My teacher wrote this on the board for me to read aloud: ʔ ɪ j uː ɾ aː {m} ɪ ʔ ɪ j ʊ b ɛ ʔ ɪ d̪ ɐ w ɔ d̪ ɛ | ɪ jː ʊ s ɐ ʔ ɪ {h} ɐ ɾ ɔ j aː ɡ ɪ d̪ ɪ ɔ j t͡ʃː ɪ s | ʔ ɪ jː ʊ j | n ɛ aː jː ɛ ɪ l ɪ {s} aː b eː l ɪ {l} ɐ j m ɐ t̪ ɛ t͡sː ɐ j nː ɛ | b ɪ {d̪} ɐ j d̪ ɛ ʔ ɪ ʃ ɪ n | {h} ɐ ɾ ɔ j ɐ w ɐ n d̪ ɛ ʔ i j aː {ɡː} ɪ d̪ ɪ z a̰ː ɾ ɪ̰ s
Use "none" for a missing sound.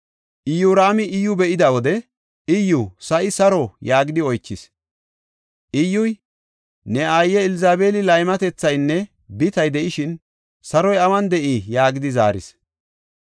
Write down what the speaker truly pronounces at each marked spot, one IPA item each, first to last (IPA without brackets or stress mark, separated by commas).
m, s, z, l, t̪, s, ɡ